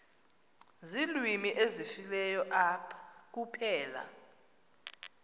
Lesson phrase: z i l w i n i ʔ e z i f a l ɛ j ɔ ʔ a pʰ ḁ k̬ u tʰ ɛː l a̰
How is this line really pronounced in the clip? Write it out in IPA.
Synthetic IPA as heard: z i l w i m i ʔ e z i f i l ɛ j ɔ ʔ a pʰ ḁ k̬ u pʰ ɛː l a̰